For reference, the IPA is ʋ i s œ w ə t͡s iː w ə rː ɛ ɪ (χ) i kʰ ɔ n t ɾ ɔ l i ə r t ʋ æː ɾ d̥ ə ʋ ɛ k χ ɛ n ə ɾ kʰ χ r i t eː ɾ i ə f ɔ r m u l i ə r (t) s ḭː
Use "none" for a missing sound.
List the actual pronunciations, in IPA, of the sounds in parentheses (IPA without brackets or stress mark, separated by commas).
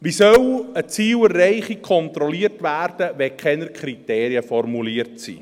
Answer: χ, t